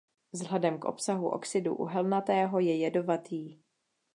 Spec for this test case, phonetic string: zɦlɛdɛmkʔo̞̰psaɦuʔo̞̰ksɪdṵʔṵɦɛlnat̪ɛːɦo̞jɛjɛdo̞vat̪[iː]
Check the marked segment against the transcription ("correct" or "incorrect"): correct